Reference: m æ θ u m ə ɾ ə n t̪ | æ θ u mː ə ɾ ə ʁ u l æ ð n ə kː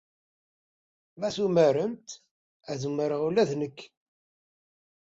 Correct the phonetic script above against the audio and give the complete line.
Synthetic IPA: m æ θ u m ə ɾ ə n t̪ | æ ð u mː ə ɾ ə ʁ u l æ ð n ə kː

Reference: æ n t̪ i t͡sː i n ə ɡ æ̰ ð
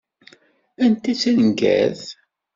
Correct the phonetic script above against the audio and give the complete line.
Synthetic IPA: æ n t̪ i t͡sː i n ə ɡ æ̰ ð

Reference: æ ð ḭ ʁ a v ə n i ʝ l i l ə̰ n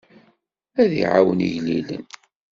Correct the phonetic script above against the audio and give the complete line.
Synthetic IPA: æ ð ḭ ʕ a w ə n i ʝ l i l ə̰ n

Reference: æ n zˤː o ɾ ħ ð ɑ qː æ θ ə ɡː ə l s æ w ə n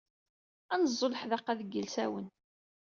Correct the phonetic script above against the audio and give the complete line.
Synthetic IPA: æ n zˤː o l ħ ð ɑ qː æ ð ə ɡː ə l s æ w ə n

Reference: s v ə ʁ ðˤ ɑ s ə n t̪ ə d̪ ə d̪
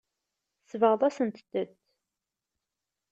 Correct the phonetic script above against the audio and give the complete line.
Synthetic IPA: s v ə ʁ ðˤ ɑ s ə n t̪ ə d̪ ə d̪

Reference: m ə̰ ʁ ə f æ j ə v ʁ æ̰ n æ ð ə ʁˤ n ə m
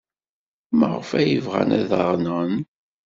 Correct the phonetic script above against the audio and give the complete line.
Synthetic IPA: m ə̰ ʁ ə f æ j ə v ʁ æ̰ n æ ð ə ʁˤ n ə n

